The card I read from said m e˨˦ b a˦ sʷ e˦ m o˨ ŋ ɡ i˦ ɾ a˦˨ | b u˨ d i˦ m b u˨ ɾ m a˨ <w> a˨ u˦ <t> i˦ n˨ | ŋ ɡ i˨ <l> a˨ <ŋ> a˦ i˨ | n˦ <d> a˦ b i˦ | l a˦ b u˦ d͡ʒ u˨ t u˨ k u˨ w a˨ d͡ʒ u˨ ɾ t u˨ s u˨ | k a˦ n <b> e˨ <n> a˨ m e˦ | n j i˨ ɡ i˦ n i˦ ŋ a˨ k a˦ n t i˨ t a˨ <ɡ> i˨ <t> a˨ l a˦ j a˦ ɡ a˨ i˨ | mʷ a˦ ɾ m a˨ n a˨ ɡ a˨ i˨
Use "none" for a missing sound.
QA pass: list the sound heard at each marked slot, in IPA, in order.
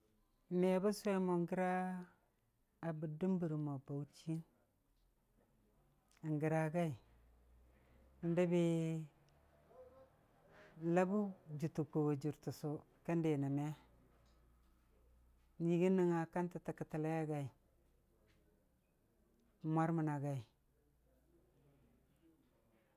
b, t͡ʃ, ɾ, ɡ, d, d, n, k, t

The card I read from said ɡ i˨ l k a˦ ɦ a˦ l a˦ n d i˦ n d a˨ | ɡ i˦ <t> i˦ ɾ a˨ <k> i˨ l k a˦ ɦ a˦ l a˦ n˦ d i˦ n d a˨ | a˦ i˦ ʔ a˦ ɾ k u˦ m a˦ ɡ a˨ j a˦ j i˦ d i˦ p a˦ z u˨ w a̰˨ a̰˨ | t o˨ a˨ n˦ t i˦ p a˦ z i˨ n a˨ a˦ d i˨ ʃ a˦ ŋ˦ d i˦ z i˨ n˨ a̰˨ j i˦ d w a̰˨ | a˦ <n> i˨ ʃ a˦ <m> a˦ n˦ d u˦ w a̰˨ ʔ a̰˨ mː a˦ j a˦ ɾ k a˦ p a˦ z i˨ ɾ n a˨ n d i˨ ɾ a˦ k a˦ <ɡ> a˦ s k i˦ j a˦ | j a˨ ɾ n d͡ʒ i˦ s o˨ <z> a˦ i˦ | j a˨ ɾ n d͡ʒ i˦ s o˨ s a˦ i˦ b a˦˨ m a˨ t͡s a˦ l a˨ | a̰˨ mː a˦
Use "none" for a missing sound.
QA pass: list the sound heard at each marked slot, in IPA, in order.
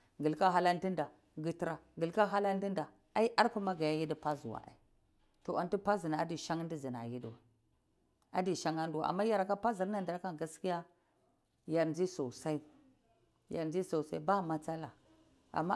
t, ɡ, d, ŋ, ɡ, s

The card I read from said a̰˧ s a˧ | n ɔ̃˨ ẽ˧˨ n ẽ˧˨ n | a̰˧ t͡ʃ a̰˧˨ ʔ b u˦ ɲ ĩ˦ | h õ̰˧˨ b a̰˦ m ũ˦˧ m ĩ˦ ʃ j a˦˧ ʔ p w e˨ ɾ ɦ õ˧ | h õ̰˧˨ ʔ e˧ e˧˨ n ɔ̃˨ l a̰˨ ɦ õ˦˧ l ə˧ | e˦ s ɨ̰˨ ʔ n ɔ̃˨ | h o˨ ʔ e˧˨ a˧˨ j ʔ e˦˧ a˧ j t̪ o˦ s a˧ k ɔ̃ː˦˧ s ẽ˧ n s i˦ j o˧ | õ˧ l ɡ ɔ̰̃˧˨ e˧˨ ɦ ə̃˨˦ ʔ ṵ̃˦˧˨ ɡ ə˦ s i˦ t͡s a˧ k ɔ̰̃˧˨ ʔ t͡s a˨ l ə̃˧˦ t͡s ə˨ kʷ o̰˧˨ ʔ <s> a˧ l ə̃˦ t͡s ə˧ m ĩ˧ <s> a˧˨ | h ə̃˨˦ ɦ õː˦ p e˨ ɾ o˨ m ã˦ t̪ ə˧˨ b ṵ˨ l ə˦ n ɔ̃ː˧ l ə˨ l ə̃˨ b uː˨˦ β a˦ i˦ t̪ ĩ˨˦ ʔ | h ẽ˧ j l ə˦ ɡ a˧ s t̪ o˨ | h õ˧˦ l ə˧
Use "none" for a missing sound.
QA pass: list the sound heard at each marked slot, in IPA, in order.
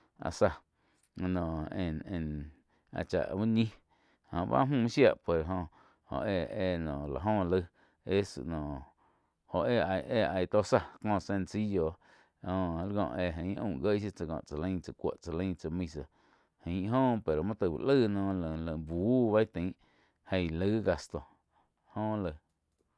t͡s, s

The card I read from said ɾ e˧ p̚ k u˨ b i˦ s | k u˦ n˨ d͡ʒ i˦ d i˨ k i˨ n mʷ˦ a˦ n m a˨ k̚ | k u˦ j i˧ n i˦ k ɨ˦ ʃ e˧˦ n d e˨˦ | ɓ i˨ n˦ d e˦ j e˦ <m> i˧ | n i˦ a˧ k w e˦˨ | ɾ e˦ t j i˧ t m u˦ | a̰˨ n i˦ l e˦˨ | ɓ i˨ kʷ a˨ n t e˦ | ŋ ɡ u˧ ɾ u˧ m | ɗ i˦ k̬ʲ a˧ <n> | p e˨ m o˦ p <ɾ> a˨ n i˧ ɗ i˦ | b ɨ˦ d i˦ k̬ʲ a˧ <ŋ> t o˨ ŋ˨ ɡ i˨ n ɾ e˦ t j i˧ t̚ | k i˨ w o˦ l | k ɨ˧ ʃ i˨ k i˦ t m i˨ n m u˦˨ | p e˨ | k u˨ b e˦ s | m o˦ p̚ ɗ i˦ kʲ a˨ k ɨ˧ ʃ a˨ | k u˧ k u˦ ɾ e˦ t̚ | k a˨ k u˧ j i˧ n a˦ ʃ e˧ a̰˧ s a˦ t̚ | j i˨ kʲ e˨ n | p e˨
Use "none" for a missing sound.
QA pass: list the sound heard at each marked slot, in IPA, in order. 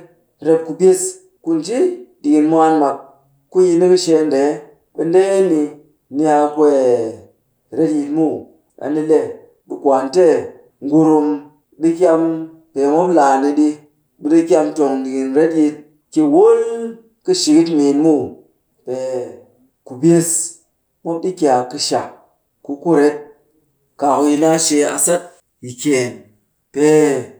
n, m, l, m

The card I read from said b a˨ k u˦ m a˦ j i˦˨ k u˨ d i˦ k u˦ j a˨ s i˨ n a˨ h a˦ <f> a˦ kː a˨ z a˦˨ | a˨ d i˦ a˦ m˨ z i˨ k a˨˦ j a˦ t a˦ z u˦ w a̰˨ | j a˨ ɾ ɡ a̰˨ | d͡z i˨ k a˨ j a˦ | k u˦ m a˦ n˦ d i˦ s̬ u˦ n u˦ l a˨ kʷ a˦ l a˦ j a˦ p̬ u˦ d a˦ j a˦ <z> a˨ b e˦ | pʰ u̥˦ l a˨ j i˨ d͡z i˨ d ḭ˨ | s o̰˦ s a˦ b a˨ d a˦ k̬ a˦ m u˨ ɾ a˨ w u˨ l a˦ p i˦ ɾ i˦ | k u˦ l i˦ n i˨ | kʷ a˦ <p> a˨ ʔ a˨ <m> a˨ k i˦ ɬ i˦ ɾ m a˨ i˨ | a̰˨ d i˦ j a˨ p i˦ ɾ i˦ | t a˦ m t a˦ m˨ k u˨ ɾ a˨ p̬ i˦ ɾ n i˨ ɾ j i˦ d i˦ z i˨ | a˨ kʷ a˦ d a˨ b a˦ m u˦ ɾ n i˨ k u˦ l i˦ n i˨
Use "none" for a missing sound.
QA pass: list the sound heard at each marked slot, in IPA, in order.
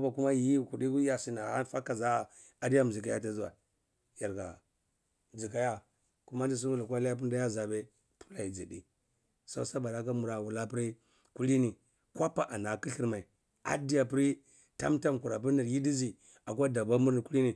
f, z, p, n

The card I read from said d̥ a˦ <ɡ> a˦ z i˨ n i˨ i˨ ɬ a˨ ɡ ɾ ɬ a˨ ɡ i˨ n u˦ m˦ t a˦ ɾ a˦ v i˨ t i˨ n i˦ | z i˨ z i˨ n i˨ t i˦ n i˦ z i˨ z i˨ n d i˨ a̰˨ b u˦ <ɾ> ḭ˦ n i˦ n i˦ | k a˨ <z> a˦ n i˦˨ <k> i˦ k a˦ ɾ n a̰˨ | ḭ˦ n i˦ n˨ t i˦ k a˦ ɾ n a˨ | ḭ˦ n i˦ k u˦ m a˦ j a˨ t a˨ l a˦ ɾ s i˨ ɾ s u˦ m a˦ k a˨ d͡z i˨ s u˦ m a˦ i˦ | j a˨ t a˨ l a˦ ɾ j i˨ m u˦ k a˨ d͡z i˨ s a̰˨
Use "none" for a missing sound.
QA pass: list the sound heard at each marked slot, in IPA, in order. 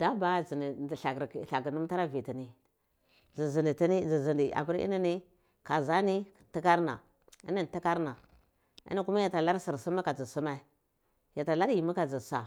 b, ɾ, z, t

